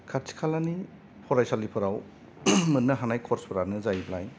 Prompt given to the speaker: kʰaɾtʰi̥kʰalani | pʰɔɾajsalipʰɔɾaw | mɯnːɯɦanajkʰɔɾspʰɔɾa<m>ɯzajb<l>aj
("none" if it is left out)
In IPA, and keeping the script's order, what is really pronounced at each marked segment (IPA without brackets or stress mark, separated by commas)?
n, l